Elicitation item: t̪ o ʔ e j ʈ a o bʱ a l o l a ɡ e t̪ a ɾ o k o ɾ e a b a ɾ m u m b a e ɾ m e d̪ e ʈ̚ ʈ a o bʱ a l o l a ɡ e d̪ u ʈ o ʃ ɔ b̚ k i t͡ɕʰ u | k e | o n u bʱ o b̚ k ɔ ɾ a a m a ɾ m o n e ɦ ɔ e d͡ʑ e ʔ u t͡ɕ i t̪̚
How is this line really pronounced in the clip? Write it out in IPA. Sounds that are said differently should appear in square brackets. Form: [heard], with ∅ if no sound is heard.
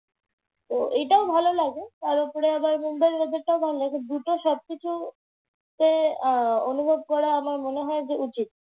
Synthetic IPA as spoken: t̪ o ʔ e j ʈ a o bʱ a l o l a ɡ e t̪ a ɾ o [p] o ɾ e a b a ɾ m u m b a e ɾ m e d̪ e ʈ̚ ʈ a o bʱ a l o l a ɡ e d̪ u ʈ o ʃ ɔ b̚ k i t͡ɕʰ u | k e | o n u bʱ o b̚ k ɔ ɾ a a m a ɾ m o n e ɦ ɔ e d͡ʑ e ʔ u t͡ɕ i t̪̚